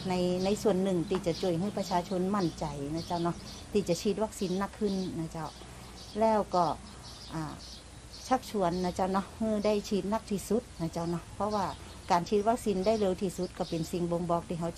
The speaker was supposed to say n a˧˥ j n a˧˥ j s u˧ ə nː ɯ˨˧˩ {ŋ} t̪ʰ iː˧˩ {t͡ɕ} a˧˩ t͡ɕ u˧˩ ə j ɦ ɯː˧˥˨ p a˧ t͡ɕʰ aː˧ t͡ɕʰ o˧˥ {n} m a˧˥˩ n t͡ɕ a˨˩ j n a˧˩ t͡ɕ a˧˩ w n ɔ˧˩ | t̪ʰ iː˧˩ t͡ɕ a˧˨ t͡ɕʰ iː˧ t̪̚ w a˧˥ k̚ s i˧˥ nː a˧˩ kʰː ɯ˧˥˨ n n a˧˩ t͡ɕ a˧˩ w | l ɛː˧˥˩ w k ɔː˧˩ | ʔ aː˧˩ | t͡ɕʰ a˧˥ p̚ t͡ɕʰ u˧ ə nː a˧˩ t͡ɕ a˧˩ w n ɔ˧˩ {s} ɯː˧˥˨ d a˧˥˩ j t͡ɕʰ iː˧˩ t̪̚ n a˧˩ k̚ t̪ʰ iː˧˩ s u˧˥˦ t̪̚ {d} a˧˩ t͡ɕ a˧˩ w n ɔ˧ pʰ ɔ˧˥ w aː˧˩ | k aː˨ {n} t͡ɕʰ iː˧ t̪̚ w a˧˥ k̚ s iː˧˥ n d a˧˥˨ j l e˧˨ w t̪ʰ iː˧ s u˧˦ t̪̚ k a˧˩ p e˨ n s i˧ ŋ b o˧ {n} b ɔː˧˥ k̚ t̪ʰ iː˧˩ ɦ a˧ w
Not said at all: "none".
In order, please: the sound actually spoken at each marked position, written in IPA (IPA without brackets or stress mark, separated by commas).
ŋ, t͡ɕ, n, h, n, n, ŋ